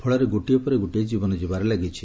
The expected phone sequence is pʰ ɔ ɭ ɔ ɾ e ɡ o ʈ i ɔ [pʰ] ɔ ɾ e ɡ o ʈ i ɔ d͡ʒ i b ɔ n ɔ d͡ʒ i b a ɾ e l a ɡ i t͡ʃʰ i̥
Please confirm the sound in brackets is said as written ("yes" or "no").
no